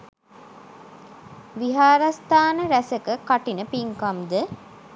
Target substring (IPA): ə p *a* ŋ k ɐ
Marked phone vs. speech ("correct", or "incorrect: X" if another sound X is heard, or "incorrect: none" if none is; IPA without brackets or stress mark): incorrect: i